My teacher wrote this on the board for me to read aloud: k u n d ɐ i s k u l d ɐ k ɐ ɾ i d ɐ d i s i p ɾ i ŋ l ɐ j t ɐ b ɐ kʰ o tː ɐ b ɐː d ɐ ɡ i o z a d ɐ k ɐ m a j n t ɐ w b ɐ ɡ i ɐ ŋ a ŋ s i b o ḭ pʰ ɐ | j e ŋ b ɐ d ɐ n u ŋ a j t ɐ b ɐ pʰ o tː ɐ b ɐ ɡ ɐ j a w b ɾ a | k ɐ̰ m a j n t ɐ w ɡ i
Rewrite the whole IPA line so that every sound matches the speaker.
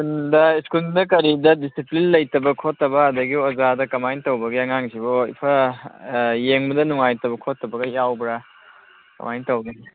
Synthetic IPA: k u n d ɐ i s k u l d ɐ k ɐ ɾ i d ɐ d i s i p l i n l ɐ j t ɐ b ɐ kʰ o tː ɐ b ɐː d ɐ ɡ i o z a d ɐ k ɐ m a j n t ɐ w b ɐ ɡ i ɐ ŋ a ŋ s i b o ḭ pʰ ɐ | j e ŋ b ɐ d ɐ n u ŋ a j t ɐ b ɐ kʰ o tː ɐ b ɐ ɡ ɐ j a w b ɾ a | k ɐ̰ m a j n t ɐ w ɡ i